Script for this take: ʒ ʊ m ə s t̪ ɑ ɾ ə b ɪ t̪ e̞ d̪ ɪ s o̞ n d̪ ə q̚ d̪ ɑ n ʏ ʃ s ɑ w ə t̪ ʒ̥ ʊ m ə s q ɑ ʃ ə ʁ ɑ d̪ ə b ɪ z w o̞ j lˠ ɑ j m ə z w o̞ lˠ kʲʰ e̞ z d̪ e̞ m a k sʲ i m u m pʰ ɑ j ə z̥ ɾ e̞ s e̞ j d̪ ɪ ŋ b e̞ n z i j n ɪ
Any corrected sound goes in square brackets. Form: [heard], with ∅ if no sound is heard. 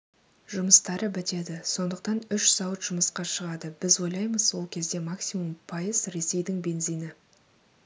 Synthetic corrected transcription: ʒ ʊ m ə s t̪ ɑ ɾ ə b ɪ t̪ e̞ d̪ ɪ s o̞ n d̪ ə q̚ [t̪] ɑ n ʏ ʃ s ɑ w ə t̪ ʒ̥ ʊ m ə s q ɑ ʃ ə ʁ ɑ d̪ ə b ɪ z w o̞ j lˠ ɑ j m ə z w o̞ lˠ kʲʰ e̞ z d̪ e̞ m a k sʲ i m u m pʰ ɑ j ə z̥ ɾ e̞ s e̞ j d̪ ɪ ŋ b e̞ n z i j n ɪ